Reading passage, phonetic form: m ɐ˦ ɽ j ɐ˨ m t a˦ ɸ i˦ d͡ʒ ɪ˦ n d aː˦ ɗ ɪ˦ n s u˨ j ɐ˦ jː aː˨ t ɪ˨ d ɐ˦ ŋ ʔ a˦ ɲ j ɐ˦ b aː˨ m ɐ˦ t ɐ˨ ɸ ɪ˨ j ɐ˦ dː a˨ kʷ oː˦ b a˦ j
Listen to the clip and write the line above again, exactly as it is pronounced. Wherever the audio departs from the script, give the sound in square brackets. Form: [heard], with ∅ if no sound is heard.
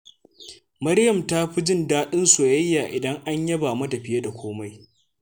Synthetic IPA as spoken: m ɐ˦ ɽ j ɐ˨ m t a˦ ɸ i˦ d͡ʒ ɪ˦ n d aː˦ ɗ ɪ˦ n s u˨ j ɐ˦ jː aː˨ [ʔ] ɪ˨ d ɐ˦ ŋ ʔ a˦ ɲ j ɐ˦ b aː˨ m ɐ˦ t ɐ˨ ɸ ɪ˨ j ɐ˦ [d] a˨ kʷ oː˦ [m] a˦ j